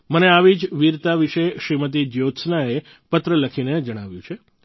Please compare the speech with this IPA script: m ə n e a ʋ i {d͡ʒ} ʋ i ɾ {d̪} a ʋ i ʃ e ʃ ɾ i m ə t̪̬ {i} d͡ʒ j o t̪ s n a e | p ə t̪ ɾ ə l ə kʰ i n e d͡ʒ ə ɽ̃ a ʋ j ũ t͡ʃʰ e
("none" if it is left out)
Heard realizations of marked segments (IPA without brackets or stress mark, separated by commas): d͡ʒ, t̪, i